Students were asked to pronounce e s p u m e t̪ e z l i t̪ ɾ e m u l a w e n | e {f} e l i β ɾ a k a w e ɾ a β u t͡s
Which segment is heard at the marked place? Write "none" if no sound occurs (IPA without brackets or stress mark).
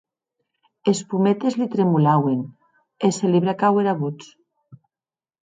s